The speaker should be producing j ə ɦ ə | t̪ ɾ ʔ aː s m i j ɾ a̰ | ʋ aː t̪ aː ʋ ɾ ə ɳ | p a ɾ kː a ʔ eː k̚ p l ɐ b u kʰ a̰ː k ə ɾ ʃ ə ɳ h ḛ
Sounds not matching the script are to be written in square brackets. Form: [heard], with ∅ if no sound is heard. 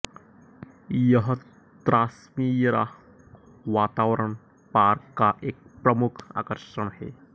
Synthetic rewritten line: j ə ɦ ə | t̪ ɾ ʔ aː s m i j ɾ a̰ | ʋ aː t̪ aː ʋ ɾ ə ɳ | p a ɾ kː a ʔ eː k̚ p [ɾ] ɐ [m] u kʰ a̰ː k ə ɾ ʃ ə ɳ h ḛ